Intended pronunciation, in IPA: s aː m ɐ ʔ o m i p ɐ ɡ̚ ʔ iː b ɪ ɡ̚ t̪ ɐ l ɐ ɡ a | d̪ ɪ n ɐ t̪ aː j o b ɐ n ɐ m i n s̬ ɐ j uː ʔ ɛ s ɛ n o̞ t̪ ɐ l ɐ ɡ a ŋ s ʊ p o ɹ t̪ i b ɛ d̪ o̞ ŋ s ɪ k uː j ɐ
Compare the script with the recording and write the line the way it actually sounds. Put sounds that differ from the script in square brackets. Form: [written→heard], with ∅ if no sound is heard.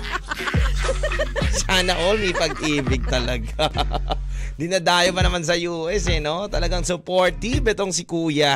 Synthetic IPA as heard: s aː [m→n] ɐ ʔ o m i p ɐ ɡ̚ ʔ iː b ɪ ɡ̚ t̪ ɐ l ɐ ɡ a | d̪ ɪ n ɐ [t̪→d̪] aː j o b ɐ n ɐ m [i→a] n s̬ ɐ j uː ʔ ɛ s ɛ n o̞ t̪ ɐ l ɐ ɡ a ŋ s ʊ p o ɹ t̪ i b ɛ [d̪→t̪] o̞ ŋ s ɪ k uː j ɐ